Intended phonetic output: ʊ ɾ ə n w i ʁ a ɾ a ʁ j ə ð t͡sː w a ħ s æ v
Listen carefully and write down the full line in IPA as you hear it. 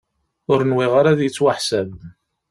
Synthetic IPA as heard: ʊ ɾ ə n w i ʁ a ɾ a ð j ə t͡sː w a ħ s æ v